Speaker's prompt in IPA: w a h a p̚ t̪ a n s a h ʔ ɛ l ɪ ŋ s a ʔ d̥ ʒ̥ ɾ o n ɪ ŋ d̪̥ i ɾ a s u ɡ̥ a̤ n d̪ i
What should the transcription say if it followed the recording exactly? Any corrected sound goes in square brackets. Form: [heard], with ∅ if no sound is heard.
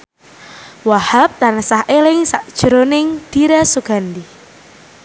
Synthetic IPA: w a h a p̚ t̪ a n s a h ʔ [e] l ɪ ŋ s a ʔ d̥ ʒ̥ ɾ o n ɪ ŋ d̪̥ i ɾ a s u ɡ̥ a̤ n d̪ i